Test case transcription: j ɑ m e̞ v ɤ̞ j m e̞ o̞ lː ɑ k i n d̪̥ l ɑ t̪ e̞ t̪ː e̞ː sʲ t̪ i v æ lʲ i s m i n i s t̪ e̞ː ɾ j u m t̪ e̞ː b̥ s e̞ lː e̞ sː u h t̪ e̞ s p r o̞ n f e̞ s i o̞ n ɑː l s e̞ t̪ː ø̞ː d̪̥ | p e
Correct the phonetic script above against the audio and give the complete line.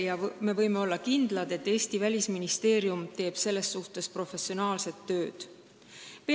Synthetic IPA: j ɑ m e̞ v ɤ̞ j m e̞ o̞ lː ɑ k i n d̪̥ l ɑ d̪ e̞ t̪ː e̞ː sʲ t̪ i v æ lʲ i s m i n i s t̪ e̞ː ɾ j u m t̪ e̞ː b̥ s e̞ lː e̞ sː u h t̪ e̞ s p r o̞ f e̞ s i o̞ n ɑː l s e̞ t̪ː ø̞ː d̪̥ | p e